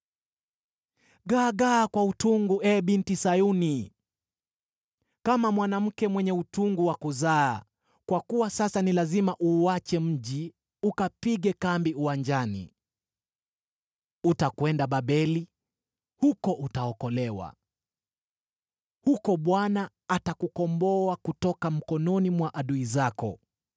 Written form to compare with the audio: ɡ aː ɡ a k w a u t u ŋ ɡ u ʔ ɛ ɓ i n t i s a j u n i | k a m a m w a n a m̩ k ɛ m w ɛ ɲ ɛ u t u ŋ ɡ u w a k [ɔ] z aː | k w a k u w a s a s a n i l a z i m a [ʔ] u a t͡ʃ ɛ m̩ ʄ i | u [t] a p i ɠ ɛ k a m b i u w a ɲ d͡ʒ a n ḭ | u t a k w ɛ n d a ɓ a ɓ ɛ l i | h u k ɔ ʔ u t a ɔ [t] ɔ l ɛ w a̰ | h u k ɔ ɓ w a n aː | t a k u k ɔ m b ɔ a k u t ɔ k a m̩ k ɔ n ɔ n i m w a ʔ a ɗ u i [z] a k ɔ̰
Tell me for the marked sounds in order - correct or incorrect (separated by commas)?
incorrect, correct, incorrect, incorrect, correct